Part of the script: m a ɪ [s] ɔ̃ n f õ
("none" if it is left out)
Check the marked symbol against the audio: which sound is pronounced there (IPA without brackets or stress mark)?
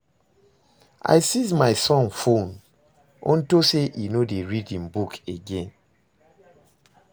s